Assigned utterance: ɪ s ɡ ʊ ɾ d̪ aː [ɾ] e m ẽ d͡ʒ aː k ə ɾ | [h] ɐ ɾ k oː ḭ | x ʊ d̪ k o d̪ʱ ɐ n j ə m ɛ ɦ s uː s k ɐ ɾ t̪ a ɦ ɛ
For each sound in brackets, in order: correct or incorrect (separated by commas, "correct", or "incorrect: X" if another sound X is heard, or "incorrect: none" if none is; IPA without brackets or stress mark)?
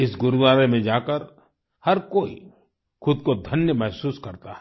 correct, correct